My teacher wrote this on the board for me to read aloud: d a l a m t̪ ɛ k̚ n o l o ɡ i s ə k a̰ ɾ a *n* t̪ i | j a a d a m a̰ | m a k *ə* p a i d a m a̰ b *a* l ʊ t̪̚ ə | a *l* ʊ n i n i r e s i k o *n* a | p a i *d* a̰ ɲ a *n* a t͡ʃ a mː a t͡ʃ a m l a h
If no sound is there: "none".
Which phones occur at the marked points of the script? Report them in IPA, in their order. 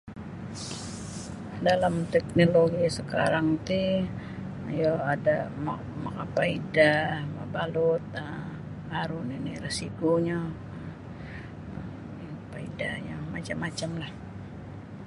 ŋ, a, a, ɾ, ɲ, d, m

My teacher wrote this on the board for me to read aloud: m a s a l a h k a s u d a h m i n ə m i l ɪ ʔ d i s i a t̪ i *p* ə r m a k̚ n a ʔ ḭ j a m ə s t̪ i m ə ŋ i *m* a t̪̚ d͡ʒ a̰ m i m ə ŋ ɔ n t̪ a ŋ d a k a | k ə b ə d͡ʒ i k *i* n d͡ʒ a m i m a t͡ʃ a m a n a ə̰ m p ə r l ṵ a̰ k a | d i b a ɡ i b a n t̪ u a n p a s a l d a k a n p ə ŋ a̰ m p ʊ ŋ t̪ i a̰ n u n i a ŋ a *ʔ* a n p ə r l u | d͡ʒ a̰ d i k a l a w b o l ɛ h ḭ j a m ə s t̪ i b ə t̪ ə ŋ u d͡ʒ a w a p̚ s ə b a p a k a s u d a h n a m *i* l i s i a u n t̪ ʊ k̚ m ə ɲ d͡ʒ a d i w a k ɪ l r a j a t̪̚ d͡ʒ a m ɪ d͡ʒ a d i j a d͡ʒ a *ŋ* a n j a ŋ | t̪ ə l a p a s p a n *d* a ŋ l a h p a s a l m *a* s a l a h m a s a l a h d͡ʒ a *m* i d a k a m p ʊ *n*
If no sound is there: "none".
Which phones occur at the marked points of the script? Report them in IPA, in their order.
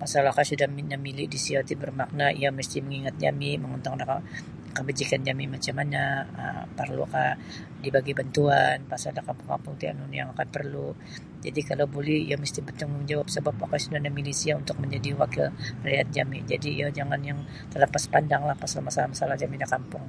b, ŋ, a, k, i, ŋ, d, a, m, ŋ

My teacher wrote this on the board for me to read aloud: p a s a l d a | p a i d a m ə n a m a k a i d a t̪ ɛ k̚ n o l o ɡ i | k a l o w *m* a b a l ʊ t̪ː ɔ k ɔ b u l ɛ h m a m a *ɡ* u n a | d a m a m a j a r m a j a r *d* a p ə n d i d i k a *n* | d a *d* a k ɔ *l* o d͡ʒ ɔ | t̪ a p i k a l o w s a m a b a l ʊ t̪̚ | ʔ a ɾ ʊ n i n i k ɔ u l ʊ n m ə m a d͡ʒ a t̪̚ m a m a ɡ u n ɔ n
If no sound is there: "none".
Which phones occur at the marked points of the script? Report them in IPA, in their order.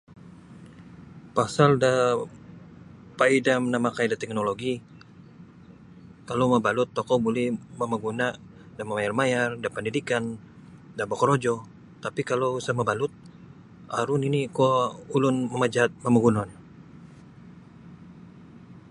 m, ɡ, d, n, b, ɾ

